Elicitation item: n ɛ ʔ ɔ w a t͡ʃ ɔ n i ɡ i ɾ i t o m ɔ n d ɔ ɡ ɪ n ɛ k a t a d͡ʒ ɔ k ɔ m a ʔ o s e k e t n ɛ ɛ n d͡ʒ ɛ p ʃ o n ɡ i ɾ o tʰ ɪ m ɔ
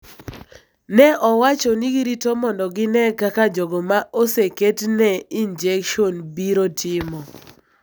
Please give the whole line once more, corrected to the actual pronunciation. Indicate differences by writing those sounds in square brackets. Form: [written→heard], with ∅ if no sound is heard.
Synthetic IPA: n ɛ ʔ ɔ w a t͡ʃ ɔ n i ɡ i ɾ i t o m ɔ n d ɔ ɡ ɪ n ɛ k a [t→k] a d͡ʒ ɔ [k→ɡ] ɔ m a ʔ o s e k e t n ɛ [ɛ→i] n d͡ʒ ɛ [p→k] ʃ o n [ɡ→b] i ɾ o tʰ ɪ m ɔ